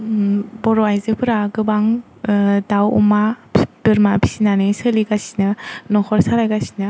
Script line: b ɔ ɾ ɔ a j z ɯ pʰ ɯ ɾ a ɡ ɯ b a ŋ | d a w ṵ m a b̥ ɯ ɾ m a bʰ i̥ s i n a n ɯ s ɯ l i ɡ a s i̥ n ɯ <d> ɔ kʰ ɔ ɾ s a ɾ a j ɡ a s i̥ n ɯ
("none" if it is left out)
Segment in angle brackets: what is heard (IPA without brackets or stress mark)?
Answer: n